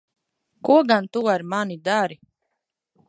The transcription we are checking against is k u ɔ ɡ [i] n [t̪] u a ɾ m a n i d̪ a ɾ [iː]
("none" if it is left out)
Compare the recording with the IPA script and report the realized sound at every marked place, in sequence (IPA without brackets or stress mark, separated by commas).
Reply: a, t̪, i